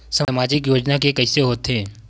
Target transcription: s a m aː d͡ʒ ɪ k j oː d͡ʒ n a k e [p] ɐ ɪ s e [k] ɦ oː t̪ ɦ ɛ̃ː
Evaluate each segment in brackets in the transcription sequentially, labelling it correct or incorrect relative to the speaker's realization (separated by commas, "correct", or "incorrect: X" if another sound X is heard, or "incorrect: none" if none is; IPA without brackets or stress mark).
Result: incorrect: k, incorrect: none